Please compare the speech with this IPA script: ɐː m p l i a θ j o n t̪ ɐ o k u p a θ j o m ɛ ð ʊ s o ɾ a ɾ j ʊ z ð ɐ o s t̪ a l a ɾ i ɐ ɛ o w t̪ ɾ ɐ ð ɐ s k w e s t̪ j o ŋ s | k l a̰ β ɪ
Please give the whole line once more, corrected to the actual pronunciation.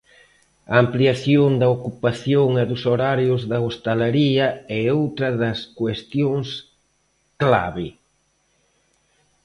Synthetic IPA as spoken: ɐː m p l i a θ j o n d̪ ɐ o k u p a θ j o ŋ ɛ ð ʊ s o ɾ a ɾ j ʊ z ð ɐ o s t̪ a l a ɾ i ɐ ɛ o w t̪ ɾ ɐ ð ɐ s k w e s t̪ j o ŋ s | k l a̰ β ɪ